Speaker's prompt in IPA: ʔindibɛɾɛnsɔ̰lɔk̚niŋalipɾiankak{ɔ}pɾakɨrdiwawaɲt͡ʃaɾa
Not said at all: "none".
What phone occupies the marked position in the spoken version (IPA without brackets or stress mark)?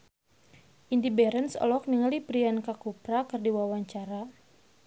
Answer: u